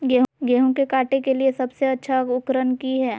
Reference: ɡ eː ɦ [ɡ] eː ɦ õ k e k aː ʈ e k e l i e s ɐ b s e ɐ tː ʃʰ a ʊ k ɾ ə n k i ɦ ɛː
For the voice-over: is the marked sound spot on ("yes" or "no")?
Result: yes